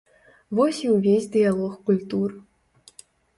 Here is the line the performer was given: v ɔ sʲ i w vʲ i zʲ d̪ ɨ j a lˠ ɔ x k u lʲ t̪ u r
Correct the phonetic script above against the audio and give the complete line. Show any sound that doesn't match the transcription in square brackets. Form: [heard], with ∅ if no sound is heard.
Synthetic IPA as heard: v ɔ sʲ i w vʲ [e] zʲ d̪ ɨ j a lˠ ɔ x k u lʲ t̪ u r